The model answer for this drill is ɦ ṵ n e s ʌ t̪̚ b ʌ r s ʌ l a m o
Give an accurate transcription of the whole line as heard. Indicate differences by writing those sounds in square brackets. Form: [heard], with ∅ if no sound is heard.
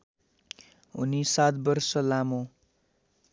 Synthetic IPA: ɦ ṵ n [i] s [a] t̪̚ b ʌ r s ʌ l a m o